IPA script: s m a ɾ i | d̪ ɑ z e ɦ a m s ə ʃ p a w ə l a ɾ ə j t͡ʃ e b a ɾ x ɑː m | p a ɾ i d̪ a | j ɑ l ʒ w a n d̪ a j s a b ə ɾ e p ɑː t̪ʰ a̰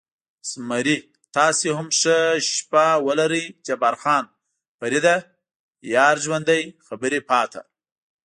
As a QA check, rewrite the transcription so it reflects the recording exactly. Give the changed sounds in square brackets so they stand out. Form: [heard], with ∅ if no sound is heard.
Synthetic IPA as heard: s m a ɾ i | [t̪] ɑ [s] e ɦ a m [ʂ] ə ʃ p a w ə l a ɾ ə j t͡ʃ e b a ɾ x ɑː [n] | p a ɾ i d̪ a | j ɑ [ɾ] ʒ w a n d̪ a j [x] a b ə ɾ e p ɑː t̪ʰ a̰